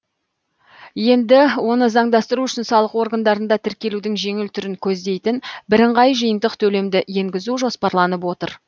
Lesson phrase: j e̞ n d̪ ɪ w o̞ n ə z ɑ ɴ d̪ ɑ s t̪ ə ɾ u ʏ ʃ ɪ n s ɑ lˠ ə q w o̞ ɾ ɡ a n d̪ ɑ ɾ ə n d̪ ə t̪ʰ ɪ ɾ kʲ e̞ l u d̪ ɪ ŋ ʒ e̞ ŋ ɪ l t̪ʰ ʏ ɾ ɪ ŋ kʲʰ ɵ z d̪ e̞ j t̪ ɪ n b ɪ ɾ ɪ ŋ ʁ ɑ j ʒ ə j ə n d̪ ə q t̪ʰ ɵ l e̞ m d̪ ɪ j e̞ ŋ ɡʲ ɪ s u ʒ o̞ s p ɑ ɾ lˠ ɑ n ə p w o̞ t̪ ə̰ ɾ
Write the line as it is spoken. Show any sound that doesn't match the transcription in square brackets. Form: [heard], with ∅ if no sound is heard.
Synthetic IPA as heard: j e̞ n d̪ ɪ w o̞ n ə z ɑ ɴ d̪ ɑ s t̪ ə ɾ u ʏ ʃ ɪ n s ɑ lˠ ə q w o̞ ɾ ɡ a n d̪ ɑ ɾ ə n d̪ [ɑ] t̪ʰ ɪ ɾ kʲ e̞ l u d̪ ɪ ŋ ʒ e̞ ŋ ɪ l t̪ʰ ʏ ɾ ɪ ŋ kʲʰ ɵ z d̪ e̞ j t̪ ɪ n b ɪ ɾ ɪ [ɴ] ʁ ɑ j ʒ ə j ə n d̪ ə q t̪ʰ ɵ l e̞ m d̪ ɪ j e̞ ŋ ɡʲ ɪ [z] u ʒ o̞ s p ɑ ɾ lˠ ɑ n ə p w o̞ t̪ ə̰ ɾ